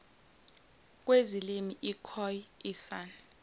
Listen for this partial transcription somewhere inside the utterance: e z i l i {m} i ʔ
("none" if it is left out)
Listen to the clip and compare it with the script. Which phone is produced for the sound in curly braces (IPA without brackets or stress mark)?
m